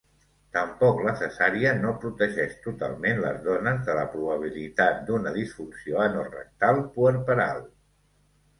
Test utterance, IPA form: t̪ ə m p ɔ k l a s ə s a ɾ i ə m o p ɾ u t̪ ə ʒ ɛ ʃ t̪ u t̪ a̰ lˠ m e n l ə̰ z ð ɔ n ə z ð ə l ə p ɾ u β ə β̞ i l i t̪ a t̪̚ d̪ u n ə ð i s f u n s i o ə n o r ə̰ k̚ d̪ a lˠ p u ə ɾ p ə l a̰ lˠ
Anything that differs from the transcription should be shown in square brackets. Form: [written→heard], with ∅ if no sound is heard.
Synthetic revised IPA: t̪ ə m p ɔ k l [a→ə] s ə s a ɾ i ə [m→n] o p ɾ u t̪ ə ʒ ɛ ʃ t̪ u t̪ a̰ lˠ m e n l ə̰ z ð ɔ n ə z ð ə l ə p ɾ u β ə β̞ i l i t̪ a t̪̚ d̪ u n ə ð i s f u n s i o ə n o r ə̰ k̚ [d̪→t̪] a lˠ p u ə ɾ p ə [l→ɾ] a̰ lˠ